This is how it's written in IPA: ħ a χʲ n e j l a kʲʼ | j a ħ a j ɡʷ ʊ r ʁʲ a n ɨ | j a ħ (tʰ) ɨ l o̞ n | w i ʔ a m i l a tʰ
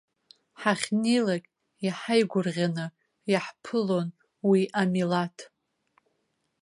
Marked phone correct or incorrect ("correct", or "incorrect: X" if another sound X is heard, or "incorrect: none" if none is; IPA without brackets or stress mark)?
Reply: incorrect: pʰ